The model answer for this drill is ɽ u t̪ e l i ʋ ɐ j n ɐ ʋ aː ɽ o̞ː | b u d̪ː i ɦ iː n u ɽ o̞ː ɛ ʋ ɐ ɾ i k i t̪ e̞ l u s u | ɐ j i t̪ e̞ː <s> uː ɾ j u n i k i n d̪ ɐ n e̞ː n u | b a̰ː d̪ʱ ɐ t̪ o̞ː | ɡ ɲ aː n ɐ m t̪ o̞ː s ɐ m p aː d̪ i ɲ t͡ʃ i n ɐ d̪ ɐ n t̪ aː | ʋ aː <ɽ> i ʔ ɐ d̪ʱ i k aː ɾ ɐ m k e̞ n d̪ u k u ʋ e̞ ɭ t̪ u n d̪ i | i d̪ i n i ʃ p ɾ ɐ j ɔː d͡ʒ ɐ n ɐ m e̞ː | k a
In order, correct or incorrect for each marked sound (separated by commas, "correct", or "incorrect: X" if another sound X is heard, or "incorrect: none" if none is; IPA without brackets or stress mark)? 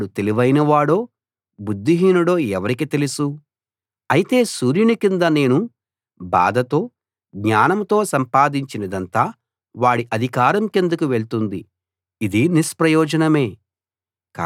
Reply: correct, correct